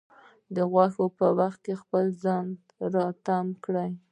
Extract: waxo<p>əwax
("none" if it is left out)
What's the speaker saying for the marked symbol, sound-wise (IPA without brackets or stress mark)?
p